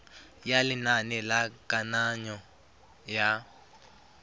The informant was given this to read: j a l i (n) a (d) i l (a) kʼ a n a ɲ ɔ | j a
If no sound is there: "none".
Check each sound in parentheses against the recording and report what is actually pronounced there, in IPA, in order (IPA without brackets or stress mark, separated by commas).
n, n, a